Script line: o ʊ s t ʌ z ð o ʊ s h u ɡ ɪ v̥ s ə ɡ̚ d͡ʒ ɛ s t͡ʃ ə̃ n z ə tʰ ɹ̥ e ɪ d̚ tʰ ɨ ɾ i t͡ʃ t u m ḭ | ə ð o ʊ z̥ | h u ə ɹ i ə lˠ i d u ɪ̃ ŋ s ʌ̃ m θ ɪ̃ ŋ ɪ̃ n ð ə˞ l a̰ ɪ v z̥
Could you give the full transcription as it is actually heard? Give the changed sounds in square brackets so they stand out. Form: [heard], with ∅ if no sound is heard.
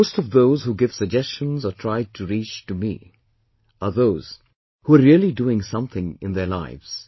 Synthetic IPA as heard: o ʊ s t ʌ [v] ð o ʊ [z] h u ɡ ɪ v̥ s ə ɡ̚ d͡ʒ ɛ s t͡ʃ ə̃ n z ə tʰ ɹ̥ [a] ɪ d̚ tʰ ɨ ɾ i t͡ʃ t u m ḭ | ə ð o ʊ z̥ | h u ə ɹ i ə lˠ i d u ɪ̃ ŋ s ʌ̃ m θ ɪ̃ ŋ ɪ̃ n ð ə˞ l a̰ ɪ v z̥